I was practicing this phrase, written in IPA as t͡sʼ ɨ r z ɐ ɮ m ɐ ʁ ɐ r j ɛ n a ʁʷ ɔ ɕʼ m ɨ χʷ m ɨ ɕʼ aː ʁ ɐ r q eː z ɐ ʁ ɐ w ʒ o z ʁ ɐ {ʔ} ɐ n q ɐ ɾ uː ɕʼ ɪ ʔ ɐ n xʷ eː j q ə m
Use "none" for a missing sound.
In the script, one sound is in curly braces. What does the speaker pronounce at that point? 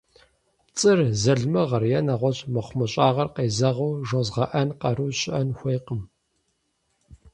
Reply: ʔ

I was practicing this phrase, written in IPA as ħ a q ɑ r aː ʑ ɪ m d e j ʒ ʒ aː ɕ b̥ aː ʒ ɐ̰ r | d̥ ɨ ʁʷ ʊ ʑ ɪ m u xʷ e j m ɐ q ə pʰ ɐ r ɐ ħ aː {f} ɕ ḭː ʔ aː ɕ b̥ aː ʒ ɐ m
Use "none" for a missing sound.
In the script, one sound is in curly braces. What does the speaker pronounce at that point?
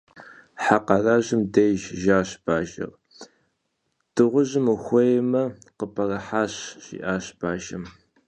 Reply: ɕ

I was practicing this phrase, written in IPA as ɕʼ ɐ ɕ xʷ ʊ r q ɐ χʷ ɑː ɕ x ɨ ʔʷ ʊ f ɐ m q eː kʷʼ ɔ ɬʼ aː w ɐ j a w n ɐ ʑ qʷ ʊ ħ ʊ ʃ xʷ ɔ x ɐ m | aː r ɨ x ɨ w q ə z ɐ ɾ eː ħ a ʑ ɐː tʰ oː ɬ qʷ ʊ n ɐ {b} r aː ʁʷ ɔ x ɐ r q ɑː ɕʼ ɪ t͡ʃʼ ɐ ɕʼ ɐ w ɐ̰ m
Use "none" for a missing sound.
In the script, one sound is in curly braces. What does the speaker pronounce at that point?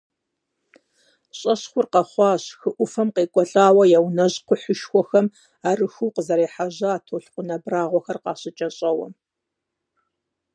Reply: b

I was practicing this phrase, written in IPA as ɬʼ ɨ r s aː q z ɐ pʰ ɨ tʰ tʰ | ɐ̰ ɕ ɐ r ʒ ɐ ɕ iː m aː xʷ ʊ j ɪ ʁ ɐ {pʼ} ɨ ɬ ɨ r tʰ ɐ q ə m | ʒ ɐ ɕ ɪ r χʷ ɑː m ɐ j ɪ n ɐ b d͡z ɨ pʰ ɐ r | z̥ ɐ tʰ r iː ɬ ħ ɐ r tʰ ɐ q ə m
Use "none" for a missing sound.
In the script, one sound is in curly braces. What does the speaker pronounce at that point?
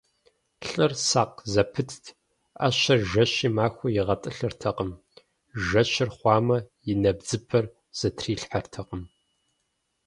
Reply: tʼ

